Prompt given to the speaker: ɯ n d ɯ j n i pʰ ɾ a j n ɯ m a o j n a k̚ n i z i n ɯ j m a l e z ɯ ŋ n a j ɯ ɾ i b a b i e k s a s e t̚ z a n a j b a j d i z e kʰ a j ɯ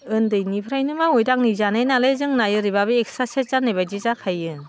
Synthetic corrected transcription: ɯ n d ɯ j n i pʰ ɾ a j n ɯ m a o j d a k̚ n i z a n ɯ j n a l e z ɯ ŋ n a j ɯ ɾ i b a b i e k s a s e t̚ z a n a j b a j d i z a kʰ a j ɯ